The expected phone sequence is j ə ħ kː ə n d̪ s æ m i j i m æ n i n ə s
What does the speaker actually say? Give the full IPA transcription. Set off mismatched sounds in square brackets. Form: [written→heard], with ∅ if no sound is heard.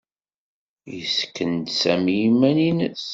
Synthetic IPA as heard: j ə [ħ→s] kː ə n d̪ s æ m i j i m æ n i n ə s

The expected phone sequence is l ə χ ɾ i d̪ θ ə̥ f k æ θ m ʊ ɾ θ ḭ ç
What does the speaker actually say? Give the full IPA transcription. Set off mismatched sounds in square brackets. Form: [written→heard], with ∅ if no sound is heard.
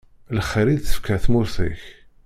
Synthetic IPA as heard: l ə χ ɾ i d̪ θ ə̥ f k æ θ m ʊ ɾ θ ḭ ç

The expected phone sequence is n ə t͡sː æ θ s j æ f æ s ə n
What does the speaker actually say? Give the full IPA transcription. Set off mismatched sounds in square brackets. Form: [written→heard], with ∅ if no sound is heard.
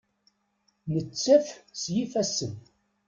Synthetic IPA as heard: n ə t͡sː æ [θ→f] s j [æ→i] f æ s ə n

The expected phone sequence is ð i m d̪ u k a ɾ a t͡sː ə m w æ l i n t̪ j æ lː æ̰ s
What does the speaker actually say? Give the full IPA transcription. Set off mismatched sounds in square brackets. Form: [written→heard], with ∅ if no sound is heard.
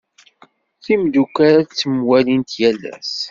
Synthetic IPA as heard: [ð→θ] i m d̪ u k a ɾ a t͡sː ə m w æ l i n t̪ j æ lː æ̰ s

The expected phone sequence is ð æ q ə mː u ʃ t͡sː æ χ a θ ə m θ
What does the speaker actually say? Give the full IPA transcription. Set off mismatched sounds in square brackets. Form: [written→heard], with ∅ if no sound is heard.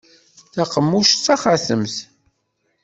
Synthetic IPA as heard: [ð→θ] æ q ə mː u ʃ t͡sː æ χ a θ ə m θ

